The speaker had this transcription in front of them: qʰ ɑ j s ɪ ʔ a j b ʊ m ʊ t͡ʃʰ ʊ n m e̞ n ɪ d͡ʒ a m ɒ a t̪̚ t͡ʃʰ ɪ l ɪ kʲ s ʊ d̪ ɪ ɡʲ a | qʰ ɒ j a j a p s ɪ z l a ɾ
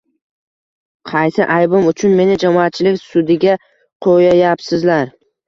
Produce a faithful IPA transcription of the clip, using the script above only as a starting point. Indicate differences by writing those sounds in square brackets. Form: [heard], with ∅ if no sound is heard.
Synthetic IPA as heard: qʰ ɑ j s ɪ ʔ a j b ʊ m ʊ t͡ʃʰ ʊ n m e̞ n ɪ d͡ʒ a m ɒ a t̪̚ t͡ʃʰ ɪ l ɪ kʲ s ʊ d̪ ɪ ɡʲ a | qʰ [o] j a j a p s ɪ z l a ɾ